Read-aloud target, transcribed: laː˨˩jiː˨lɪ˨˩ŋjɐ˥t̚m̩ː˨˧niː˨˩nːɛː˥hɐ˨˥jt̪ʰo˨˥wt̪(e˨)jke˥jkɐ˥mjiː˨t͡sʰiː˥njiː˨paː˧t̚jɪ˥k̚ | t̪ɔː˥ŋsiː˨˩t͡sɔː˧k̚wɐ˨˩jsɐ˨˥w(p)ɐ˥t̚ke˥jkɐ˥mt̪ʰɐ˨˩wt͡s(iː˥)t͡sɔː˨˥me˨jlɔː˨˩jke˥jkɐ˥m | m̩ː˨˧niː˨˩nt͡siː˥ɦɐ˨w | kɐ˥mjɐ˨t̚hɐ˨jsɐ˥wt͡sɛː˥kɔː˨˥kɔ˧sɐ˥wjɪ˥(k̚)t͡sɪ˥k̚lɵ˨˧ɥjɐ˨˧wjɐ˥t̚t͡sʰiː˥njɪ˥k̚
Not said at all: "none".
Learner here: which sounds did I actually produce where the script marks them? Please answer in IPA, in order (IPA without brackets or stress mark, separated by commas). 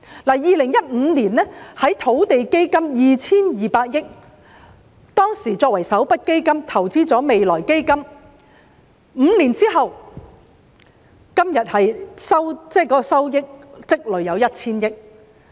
e˨, p, iː˥, k̚